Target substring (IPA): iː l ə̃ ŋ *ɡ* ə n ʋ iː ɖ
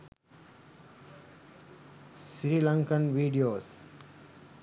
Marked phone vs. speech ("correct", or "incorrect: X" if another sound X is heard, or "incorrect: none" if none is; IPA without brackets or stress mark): incorrect: k